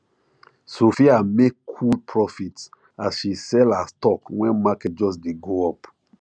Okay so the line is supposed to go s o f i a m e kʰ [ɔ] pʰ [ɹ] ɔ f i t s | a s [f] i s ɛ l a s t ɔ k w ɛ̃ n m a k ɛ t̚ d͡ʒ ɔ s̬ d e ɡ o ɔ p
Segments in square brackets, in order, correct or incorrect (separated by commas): incorrect, correct, incorrect